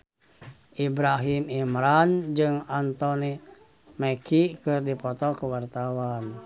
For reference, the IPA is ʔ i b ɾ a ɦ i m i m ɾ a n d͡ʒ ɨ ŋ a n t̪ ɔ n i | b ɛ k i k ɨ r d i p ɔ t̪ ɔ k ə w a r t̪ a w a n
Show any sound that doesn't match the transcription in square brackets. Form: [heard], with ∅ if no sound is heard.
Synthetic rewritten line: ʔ i b ɾ a ɦ i m i m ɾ a n d͡ʒ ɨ ŋ a n t̪ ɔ n i | [m] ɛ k i k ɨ r d i p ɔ t̪ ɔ k ə w a r t̪ a w a n